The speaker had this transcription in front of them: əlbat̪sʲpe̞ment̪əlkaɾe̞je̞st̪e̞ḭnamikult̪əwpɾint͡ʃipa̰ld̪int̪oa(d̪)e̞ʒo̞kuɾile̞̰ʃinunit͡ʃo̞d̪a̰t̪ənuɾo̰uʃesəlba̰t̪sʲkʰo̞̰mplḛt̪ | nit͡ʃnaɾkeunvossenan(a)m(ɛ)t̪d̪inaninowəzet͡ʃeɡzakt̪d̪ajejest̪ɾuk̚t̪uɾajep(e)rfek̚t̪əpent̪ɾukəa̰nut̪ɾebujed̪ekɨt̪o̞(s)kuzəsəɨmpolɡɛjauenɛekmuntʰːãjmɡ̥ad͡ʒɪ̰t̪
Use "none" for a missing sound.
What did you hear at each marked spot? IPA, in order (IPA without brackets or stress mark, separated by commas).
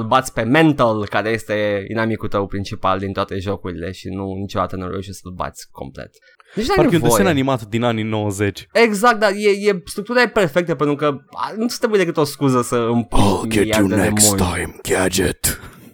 t̪, i, a, e, s